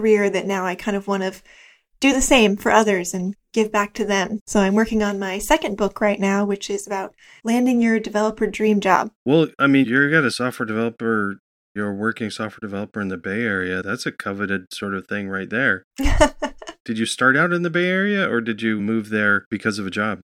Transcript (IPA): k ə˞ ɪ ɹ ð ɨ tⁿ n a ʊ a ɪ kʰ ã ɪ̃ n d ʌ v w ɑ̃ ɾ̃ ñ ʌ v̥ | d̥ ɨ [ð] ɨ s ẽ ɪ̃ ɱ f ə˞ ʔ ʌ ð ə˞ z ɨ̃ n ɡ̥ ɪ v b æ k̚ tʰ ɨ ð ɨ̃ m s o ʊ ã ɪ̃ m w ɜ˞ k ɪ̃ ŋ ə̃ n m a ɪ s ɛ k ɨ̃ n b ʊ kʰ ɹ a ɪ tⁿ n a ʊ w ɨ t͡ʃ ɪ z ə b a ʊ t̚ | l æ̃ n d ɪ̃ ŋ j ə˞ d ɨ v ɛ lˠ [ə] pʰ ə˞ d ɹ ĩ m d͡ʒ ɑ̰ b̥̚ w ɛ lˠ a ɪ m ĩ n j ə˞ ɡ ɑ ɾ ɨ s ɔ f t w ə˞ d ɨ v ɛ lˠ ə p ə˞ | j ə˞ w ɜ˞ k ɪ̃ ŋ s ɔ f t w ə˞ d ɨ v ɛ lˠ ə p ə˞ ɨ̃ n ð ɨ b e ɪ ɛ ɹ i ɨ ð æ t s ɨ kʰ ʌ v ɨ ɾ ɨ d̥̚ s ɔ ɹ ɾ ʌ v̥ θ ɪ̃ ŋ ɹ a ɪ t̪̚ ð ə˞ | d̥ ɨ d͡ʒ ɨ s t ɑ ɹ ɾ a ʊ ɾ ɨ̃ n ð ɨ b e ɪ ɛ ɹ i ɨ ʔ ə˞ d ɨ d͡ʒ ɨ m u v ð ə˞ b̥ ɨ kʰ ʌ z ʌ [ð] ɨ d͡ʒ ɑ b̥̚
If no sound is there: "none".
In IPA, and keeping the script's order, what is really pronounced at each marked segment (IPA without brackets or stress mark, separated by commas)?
ð, ə, v